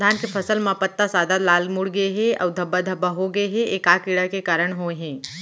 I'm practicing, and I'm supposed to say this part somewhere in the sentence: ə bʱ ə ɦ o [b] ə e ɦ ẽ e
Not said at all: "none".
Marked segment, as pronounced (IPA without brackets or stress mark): ɡ